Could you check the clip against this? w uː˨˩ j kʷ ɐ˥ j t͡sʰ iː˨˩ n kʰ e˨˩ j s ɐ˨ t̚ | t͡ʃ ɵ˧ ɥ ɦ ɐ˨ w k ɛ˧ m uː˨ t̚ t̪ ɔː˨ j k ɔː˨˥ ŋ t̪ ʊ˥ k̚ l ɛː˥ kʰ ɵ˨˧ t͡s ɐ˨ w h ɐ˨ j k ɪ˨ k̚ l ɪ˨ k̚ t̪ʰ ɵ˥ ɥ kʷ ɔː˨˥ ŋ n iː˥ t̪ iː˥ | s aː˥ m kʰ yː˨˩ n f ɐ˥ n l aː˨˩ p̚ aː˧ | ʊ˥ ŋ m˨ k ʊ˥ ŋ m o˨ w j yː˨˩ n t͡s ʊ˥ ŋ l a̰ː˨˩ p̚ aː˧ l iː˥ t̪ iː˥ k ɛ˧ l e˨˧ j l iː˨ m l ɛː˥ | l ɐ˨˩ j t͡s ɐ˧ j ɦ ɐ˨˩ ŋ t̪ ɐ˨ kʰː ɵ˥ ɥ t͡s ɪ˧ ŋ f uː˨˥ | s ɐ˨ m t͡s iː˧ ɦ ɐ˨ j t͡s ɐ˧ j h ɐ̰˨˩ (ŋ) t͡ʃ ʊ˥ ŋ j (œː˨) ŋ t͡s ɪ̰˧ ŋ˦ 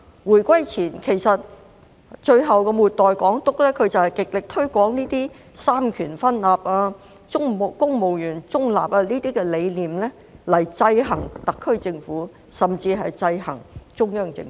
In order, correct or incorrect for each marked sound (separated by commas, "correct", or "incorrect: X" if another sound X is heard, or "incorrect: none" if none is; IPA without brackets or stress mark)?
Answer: correct, incorrect: œː˥